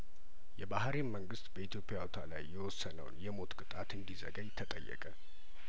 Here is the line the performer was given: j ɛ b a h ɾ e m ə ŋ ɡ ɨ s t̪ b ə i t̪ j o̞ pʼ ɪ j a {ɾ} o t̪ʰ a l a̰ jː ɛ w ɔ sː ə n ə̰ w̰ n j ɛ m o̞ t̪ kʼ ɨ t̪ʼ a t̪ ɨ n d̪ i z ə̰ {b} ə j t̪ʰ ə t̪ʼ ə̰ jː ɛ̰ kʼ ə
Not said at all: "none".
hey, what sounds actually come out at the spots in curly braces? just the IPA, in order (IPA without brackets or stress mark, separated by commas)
none, ɡ